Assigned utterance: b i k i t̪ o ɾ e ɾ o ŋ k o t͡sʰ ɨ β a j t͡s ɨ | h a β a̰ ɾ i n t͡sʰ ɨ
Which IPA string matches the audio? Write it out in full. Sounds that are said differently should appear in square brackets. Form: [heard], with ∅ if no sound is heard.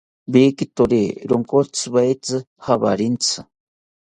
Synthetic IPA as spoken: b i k i t̪ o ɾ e ɾ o ŋ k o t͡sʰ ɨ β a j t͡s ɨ | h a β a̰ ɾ i n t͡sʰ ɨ